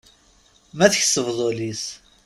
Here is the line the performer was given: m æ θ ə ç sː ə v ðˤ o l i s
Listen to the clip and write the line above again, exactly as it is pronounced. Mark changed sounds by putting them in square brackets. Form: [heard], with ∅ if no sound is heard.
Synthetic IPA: m æ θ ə ç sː ə v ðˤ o l i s

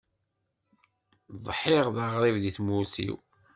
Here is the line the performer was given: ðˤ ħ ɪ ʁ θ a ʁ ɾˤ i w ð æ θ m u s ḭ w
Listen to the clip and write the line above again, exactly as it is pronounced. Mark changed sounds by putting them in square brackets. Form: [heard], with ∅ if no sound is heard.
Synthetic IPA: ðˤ ħ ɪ ʁ [ð] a ʁ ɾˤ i [v] ð [i] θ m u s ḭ w

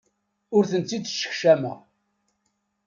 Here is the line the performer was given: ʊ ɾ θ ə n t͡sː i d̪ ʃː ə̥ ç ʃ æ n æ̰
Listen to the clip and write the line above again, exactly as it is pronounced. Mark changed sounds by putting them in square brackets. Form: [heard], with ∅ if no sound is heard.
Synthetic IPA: ʊ ɾ θ ə n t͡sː i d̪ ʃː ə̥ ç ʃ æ [m] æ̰

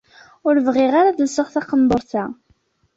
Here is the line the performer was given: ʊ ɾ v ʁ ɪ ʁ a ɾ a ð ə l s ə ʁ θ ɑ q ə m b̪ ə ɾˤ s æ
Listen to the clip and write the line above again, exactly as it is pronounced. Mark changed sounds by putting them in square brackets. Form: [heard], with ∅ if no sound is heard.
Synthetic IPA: ʊ ɾ v ʁ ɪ ʁ a ɾ a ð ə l s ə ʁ θ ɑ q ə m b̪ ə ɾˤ [θ] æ

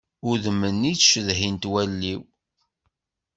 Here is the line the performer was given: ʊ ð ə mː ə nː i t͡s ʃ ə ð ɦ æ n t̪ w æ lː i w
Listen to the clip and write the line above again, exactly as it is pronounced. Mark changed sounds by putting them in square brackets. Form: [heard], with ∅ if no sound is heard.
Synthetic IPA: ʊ ð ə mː ə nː i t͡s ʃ ə ð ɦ [i] n t̪ w æ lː i w

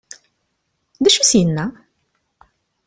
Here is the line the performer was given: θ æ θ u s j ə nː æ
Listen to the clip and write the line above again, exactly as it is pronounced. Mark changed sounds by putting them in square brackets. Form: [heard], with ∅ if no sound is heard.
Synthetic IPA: [ð] æ [ʃ] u s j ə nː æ

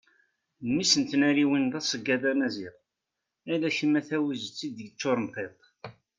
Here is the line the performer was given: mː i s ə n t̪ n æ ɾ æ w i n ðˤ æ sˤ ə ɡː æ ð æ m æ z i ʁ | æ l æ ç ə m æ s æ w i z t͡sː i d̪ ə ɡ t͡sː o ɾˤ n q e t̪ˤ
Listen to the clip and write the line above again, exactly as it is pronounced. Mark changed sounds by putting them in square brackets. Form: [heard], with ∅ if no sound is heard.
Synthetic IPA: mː i s ə n t̪ n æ ɾ [i] w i n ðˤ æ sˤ ə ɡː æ ð æ m æ z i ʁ | æ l æ ç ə m æ [θ] æ w i z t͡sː i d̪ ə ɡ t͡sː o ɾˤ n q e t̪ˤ

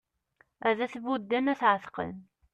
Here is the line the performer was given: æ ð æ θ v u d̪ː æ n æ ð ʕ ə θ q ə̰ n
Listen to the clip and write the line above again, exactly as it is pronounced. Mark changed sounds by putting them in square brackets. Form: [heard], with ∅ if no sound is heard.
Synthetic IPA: æ ð æ θ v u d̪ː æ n æ [θ] ʕ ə θ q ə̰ n

